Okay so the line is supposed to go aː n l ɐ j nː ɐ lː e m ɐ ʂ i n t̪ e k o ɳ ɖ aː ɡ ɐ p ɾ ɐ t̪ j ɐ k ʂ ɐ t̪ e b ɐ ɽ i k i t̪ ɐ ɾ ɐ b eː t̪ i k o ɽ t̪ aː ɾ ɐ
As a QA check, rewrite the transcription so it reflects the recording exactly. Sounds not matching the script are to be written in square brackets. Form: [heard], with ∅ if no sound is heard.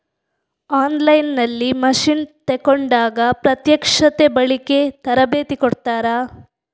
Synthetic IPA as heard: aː n l ɐ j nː ɐ lː [i] m ɐ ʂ i n t̪ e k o ɳ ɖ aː ɡ ɐ p ɾ ɐ t̪ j ɐ k ʂ ɐ t̪ e b ɐ [ɭ] i k [e] t̪ ɐ ɾ ɐ b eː t̪ i k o ɽ t̪ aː ɾ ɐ

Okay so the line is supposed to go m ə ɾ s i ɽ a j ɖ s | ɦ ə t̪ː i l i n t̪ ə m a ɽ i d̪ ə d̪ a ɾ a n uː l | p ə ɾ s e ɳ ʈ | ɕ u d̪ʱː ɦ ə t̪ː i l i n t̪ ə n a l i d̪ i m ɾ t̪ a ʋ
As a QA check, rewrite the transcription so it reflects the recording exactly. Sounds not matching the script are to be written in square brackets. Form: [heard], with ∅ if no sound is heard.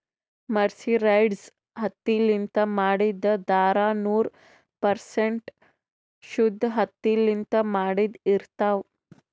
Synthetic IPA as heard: m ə ɾ s i [ɾ] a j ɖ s | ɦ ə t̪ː i l i n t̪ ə m a ɽ i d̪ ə d̪ a ɾ a n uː [ɾ] | p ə ɾ s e ɳ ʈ | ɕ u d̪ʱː ɦ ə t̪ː i l i n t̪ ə [m] a [ɽ] i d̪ i [∅] ɾ t̪ a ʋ

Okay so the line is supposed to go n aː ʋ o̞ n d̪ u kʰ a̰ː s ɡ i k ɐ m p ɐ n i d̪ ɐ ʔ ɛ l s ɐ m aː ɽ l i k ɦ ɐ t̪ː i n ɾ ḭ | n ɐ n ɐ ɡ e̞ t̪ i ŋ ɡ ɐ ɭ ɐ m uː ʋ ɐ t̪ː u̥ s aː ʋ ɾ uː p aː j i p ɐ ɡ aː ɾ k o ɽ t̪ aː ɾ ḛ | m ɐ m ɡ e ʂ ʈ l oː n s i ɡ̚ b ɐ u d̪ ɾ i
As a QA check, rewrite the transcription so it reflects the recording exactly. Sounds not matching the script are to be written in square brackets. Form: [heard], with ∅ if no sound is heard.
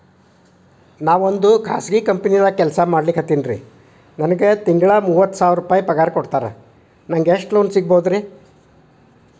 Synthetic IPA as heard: n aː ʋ o̞ n d̪ u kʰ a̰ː s ɡ i k ɐ m p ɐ n i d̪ ɐ [k] ɛ l s ɐ m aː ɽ l i k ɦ ɐ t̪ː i n ɾ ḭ | n ɐ n ɐ ɡ e̞ t̪ i ŋ ɡ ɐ ɭ ɐ m uː ʋ ɐ t̪ː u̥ s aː ʋ ɾ [u] p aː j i p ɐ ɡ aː ɾ k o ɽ t̪ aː ɾ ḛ | [n] ɐ [ŋ] ɡ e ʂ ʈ l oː n s i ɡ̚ b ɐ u d̪ ɾ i

